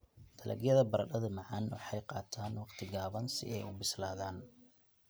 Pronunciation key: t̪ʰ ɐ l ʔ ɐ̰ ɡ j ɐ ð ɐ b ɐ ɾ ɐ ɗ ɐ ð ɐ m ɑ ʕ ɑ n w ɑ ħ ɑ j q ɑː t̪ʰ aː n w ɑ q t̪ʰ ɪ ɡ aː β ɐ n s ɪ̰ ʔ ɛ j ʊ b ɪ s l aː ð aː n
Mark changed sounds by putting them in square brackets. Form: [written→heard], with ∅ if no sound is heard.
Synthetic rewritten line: t̪ʰ ɐ l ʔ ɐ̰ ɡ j ɐ ð ɐ b ɐ ɾ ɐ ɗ ɐ ð ɐ m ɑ ʕ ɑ n w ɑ ħ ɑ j q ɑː t̪ʰ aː n w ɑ q t̪ʰ ɪ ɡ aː β ɐ n s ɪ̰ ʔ ɛ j ʊ b ɪ s l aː ð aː n